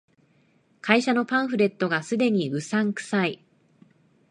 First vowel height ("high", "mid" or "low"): low